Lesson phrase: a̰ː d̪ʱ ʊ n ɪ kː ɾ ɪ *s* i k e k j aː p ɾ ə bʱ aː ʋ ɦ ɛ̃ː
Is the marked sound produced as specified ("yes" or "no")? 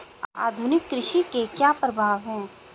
no